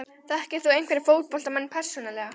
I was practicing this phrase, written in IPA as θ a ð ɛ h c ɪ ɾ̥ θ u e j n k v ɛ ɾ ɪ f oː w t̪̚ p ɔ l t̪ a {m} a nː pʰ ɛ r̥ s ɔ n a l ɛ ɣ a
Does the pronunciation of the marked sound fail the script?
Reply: no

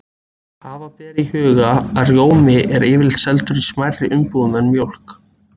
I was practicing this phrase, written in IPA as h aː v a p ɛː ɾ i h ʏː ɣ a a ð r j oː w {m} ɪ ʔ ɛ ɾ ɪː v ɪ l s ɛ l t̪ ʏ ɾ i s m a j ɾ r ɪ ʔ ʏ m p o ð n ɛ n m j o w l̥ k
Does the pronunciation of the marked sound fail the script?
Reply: no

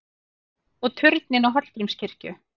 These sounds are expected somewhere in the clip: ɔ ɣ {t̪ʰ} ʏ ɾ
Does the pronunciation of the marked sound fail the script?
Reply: no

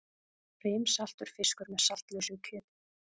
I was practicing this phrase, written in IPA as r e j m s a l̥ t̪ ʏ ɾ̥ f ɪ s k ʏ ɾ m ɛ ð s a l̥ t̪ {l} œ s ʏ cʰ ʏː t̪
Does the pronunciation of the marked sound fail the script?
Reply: no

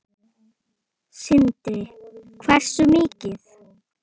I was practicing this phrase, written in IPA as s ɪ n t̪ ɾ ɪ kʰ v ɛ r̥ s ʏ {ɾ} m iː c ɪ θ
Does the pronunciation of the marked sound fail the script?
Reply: yes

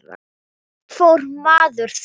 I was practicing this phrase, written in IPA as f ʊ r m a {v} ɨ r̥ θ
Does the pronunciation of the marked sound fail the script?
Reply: yes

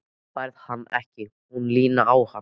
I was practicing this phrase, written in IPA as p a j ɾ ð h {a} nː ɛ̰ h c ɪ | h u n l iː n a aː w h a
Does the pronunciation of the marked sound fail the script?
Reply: no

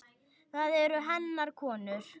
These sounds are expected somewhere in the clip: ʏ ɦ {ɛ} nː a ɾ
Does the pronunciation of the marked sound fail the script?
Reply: no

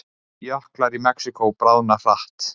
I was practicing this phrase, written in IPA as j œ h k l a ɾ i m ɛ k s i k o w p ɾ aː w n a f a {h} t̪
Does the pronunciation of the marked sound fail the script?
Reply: no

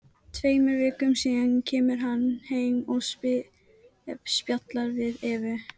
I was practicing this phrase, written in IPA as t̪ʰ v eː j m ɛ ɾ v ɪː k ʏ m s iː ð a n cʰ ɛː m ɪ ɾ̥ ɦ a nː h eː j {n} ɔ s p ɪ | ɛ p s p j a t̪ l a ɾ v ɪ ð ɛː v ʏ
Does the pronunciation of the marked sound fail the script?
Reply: yes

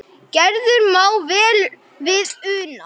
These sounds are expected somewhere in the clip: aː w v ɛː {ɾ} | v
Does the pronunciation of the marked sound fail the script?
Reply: yes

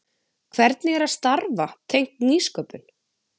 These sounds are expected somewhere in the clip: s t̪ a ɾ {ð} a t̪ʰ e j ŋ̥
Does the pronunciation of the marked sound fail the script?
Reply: yes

